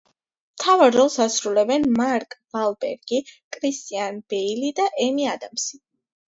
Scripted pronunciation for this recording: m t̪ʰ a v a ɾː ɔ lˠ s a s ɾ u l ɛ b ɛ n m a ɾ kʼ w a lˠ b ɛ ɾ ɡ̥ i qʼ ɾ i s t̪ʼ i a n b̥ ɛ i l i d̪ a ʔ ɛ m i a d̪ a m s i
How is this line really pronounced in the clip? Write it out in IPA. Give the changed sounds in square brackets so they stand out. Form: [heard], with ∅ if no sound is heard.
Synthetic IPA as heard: m t̪ʰ a v a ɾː ɔ lˠ s a s ɾ u l ɛ b ɛ n m a ɾ kʼ [v] a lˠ b ɛ ɾ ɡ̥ i [kʼ] ɾ i s t̪ʼ i a n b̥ ɛ i l i d̪ a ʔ ɛ m i a d̪ a m s i